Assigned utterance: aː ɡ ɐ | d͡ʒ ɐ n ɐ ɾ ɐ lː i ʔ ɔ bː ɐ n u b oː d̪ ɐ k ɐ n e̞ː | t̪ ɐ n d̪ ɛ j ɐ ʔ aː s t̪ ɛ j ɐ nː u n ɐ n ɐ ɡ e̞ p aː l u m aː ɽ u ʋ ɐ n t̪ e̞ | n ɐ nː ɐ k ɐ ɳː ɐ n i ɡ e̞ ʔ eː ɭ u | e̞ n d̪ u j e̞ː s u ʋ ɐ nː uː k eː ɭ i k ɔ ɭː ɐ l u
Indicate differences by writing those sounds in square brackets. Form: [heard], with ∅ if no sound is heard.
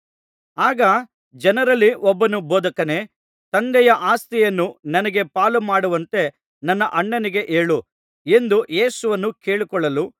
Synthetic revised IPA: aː ɡ ɐ | d͡ʒ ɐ n ɐ ɾ ɐ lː i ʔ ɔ bː ɐ n u b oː d̪ ɐ k ɐ n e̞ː | t̪ ɐ n d̪ ɛ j ɐ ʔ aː s t̪ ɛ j ɐ nː u n ɐ n ɐ ɡ e̞ p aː l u m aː ɽ u ʋ ɐ n t̪ e̞ | n ɐ nː ɐ [ʔ] ɐ ɳː ɐ n i ɡ e̞ ʔ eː ɭ u | e̞ n d̪ u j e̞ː s u ʋ ɐ nː [u] k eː ɭ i k ɔ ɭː ɐ l u